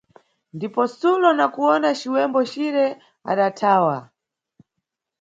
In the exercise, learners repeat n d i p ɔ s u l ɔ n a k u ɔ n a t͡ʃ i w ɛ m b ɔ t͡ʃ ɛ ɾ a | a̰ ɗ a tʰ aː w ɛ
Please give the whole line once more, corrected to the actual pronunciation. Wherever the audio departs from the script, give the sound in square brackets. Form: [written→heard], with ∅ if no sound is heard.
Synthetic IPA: n d i p ɔ s u l ɔ n a k u ɔ n a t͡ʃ i w ɛ m b ɔ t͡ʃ [ɛ→i] ɾ [a→ɛ] | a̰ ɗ a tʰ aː w [ɛ→a]